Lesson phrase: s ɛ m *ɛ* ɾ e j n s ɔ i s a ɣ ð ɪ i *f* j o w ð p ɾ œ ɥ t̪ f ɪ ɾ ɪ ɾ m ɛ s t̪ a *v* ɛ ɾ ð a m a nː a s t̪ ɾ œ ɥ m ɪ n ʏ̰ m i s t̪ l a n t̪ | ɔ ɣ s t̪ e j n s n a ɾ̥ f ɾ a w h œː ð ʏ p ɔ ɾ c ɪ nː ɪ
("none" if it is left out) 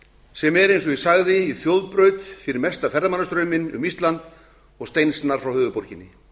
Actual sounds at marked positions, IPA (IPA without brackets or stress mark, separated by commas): ɛ, θ, f